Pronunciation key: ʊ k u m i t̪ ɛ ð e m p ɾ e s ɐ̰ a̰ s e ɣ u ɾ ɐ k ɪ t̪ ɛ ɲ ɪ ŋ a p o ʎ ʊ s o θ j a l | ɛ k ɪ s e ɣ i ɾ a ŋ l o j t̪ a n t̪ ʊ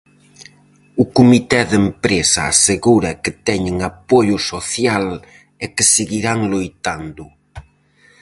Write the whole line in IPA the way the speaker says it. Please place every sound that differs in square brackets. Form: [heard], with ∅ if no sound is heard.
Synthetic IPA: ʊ k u m i t̪ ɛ ð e m p ɾ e s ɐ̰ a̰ s e ɣ u ɾ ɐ k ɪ t̪ ɛ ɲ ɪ ŋ a p o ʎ ʊ s o θ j a l | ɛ k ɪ s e ɣ i ɾ a ŋ l o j t̪ a n [d̪] ʊ

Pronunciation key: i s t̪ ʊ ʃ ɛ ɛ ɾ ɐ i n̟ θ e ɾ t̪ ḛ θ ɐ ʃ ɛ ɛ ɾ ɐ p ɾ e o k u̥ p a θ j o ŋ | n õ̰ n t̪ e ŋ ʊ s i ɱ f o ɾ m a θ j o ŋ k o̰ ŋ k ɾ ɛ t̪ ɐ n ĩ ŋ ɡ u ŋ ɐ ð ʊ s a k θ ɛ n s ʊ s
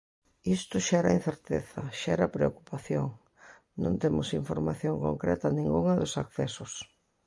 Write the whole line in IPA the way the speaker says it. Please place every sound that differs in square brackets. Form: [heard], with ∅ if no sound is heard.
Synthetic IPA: i s t̪ ʊ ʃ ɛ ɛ ɾ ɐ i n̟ θ e ɾ t̪ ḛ θ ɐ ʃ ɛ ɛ ɾ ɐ p ɾ e o k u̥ p a θ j o ŋ | n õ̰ n t̪ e [m] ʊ s i ɱ f o ɾ m a θ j o ŋ k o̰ ŋ k ɾ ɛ t̪ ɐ n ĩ ŋ ɡ u ŋ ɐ ð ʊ s a k θ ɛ [∅] s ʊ s

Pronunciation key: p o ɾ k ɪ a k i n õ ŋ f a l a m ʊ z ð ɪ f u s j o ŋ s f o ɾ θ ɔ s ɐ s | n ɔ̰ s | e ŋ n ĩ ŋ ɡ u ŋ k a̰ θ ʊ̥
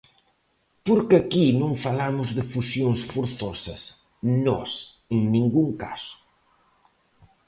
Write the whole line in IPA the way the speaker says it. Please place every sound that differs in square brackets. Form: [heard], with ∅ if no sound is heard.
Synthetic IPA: p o ɾ k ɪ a k i n õ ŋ f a l a m ʊ z ð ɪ f u s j o ŋ s f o ɾ θ ɔ s ɐ s | n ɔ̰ s | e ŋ n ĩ ŋ ɡ u ŋ k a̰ [s] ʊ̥

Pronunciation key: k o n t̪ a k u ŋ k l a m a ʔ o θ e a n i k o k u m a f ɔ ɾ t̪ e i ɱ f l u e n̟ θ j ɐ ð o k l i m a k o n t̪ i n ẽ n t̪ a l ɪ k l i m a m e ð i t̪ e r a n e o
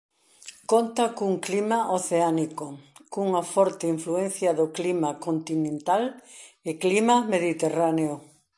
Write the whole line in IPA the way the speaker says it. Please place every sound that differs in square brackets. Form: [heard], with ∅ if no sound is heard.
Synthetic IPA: k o n t̪ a k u ŋ k l [i] m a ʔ o θ e a n i k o k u [ŋ] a f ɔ ɾ t̪ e i ɱ f l u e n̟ θ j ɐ ð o k l i m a k o n t̪ i n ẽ n t̪ a l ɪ k l i m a m e ð i t̪ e r a n e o

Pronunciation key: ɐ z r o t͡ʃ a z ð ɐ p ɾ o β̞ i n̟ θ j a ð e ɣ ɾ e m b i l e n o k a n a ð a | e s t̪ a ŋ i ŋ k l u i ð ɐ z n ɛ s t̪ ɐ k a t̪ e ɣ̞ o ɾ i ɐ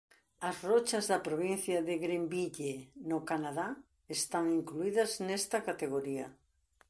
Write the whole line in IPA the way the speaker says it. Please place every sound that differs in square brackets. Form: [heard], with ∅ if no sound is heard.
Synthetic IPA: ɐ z r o t͡ʃ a z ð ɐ p ɾ o β̞ i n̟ θ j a ð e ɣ ɾ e m b i [ʎ] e n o k a n a ð a | e s t̪ a ŋ i ŋ k l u i ð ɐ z n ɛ s t̪ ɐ k a t̪ e ɣ̞ o ɾ i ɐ

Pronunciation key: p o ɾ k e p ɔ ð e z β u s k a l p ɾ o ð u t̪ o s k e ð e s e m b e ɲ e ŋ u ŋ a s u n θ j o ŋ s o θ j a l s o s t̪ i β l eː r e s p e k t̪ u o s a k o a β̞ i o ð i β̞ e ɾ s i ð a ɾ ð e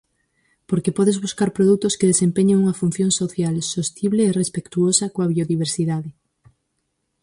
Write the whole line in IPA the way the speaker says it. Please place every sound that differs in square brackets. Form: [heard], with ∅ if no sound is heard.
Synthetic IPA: p o ɾ k e p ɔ ð e z β u s k a [ɾ] p ɾ o ð u t̪ o s k e ð e s e m [p] e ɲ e ŋ u ŋ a [f] u n θ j o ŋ s o θ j a l s o s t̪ i β l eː r e s p e k t̪ u o s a k o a β̞ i o ð i β̞ e ɾ s i ð a [∅] ð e

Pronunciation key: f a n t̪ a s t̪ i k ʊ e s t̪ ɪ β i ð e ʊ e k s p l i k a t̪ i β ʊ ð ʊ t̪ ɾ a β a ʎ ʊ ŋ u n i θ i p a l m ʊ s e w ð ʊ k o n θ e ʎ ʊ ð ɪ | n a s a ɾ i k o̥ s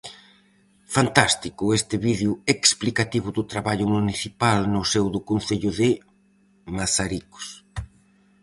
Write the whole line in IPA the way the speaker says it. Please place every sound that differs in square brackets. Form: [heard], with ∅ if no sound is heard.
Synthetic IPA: f a n t̪ a s t̪ i k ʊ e s t̪ ɪ β i ð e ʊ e k s p l i k a t̪ i β ʊ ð ʊ t̪ ɾ a β a ʎ ʊ [m] u n i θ i p a l [n] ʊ s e w ð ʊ k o n θ e ʎ ʊ ð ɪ | [m] a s a ɾ i k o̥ s

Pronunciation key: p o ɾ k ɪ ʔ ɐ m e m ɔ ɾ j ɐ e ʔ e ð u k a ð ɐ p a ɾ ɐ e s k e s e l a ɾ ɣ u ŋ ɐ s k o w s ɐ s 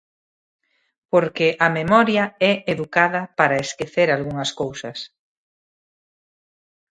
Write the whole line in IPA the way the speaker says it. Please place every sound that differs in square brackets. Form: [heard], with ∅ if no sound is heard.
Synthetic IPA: p o ɾ k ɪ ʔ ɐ m e m ɔ ɾ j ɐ [ɛ] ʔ e ð u k a ð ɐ p a ɾ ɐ e s k e [θ] e [ɾ] a [l] ɣ u ŋ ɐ s k o w s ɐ s

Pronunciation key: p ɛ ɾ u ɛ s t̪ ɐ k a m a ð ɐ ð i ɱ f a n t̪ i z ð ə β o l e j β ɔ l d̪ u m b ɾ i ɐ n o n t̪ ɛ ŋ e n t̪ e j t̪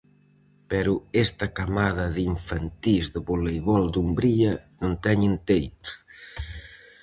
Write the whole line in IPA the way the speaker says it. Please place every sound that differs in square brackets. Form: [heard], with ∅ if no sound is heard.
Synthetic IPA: p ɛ ɾ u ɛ s t̪ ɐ k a m a ð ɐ ð i ɱ f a n t̪ i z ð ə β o l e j β ɔ l d̪ u m b ɾ i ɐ n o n t̪ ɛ [ɲ] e n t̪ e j t̪

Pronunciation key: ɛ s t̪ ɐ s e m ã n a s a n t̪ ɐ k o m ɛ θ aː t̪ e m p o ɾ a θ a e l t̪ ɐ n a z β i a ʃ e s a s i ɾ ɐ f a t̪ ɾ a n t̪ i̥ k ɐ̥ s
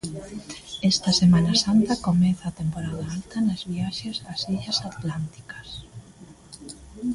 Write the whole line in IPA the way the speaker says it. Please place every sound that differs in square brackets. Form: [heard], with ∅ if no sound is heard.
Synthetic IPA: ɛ s t̪ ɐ s e m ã n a s a n t̪ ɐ k o m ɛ θ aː t̪ e m p o ɾ a [ð] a [a] l t̪ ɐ n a z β i a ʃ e s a s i [ʎ] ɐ [s] a t̪ [l] a n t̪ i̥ k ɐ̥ s

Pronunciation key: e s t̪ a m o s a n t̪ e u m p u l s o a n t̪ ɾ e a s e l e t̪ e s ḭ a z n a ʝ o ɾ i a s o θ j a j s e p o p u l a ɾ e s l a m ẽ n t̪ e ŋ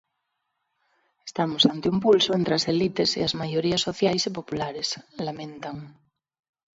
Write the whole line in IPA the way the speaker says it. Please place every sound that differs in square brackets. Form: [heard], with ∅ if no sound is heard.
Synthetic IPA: e s t̪ a m o s a n t̪ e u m p u l s o [e] n t̪ ɾ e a s e l [i] t̪ e s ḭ a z [m] a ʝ o ɾ i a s o θ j a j s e p o p u l a ɾ e s l a m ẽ n t̪ [a] ŋ

